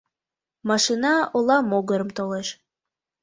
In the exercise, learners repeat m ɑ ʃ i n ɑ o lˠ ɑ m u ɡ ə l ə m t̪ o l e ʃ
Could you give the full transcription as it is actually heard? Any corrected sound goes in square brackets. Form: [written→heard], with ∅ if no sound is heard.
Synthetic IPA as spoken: m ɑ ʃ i n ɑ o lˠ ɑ m [u→o] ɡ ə [l→ɾ] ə m t̪ o l e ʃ